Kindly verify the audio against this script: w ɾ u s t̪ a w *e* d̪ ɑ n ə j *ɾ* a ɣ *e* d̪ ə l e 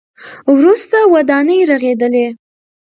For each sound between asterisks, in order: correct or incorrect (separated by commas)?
incorrect, correct, correct